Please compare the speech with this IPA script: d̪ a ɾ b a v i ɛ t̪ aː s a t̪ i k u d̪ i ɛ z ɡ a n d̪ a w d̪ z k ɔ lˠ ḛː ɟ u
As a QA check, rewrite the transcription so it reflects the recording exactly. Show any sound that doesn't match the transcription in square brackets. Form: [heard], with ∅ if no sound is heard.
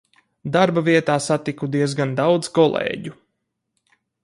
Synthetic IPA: d̪ a ɾ b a v i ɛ t̪ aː s a t̪ i k u d̪ i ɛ z ɡ a n d̪ a w d̪ z k ɔ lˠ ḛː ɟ u